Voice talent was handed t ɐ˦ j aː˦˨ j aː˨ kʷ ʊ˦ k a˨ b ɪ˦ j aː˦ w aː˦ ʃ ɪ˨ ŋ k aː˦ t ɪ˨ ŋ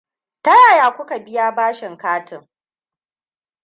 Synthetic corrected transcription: t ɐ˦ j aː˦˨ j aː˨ kʷ ʊ˦ k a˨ b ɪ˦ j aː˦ b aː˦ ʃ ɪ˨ ŋ k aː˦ t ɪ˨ ŋ